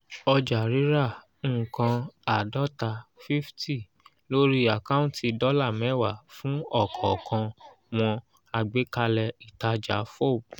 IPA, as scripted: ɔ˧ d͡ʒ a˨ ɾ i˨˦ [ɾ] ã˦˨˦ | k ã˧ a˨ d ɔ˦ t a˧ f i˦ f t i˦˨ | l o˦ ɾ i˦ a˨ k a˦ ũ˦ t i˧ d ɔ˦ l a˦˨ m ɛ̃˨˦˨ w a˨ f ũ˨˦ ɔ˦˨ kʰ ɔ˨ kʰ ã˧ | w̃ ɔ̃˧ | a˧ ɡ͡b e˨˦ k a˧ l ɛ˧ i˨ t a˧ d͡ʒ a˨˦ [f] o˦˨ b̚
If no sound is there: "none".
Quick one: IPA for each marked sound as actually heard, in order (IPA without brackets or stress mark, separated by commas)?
ɾ, f